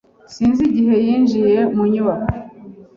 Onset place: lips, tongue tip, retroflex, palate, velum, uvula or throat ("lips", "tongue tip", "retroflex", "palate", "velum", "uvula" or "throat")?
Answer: tongue tip